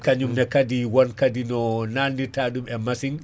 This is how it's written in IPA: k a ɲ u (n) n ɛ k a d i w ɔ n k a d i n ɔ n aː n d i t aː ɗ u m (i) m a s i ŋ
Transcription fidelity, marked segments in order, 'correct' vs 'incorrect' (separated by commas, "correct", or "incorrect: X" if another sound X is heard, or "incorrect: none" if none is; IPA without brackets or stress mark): incorrect: m, incorrect: ɛ